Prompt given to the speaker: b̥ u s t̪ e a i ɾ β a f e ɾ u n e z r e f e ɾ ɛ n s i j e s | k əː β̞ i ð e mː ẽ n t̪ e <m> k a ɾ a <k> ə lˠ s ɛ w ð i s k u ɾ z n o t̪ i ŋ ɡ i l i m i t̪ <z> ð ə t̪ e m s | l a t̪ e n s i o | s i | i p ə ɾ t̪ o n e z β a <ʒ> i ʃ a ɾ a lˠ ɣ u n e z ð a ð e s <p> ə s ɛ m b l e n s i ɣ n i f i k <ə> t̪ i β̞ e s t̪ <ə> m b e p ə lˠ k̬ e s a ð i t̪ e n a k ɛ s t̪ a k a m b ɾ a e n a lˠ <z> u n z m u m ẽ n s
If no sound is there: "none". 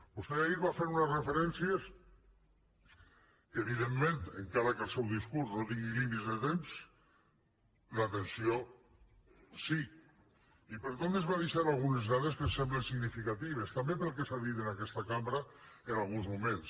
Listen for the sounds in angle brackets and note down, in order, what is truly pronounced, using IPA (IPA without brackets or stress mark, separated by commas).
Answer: ŋ, k, z, ð, k, a, a, ɣ